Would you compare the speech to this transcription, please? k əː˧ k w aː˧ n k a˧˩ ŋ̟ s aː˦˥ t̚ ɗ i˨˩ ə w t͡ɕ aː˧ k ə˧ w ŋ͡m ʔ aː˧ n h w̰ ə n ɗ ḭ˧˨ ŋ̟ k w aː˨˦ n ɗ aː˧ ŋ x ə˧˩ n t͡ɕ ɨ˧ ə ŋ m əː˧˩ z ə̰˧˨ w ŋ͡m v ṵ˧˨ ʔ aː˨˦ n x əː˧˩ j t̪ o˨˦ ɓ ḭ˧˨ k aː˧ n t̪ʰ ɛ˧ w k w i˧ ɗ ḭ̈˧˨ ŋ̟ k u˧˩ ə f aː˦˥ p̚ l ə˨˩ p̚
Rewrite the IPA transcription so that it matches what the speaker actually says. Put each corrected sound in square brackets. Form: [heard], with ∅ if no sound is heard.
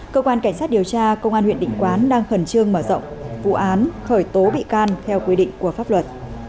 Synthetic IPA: k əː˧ k w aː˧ n k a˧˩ ŋ̟ s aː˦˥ t̚ ɗ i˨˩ ə w t͡ɕ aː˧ k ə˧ w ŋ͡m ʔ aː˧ n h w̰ ə n ɗ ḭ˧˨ ŋ̟ k w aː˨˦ n ɗ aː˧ ŋ x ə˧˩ n t͡ɕ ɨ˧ ə ŋ m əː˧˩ z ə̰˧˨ w ŋ͡m v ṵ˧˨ ʔ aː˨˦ n x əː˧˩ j t̪ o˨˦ ɓ ḭ˧˨ k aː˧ n t̪ʰ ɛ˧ w k w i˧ ɗ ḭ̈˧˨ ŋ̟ k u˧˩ ə f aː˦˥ p̚ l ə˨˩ [t̚]